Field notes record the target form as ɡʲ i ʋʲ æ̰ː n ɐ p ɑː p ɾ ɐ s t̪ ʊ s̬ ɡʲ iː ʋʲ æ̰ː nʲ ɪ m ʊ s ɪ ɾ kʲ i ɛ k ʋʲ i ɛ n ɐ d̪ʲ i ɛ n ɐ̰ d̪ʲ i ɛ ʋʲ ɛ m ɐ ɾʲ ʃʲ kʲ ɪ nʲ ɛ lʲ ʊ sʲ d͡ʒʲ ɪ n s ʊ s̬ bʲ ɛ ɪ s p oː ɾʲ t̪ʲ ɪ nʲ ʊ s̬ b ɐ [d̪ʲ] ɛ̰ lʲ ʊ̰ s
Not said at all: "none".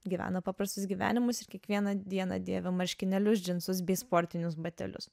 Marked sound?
t̪ʲ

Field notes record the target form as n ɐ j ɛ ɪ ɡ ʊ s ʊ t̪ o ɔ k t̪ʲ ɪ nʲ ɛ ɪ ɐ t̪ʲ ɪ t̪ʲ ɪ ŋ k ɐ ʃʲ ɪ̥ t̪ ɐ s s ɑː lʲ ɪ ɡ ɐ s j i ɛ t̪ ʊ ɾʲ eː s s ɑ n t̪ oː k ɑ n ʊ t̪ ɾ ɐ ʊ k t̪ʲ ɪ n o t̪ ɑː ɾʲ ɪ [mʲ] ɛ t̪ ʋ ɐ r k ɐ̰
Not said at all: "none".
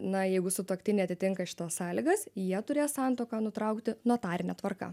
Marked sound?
nʲ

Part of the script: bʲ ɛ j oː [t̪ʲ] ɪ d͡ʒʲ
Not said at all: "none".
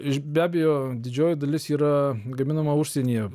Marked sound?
d̪ʲ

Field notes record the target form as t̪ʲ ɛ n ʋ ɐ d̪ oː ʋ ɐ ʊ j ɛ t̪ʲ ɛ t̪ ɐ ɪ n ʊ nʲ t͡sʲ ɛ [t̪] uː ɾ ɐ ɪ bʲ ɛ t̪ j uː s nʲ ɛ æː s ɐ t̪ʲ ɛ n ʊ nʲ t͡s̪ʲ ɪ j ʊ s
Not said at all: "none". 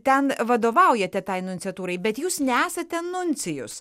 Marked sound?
t̪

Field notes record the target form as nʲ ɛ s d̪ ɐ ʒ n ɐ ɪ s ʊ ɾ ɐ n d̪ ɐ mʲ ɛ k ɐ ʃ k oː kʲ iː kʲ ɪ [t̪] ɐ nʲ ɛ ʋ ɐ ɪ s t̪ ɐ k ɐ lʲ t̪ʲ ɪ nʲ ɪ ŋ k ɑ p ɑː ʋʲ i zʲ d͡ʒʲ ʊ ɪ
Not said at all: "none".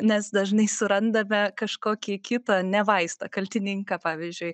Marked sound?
t̪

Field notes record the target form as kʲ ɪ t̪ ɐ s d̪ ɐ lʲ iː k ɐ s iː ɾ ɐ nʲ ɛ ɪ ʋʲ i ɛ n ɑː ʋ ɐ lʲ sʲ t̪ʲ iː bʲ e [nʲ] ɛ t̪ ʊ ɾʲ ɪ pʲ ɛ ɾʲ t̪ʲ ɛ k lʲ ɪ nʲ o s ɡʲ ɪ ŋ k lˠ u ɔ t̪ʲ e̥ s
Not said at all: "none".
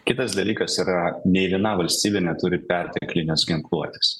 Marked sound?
nʲ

